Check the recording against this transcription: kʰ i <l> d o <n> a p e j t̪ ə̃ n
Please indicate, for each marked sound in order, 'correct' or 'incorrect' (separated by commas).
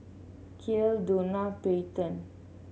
correct, correct